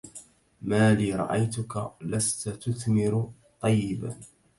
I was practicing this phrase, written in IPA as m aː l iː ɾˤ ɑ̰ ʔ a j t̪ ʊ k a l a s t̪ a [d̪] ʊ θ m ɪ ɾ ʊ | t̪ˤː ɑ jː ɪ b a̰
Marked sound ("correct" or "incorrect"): incorrect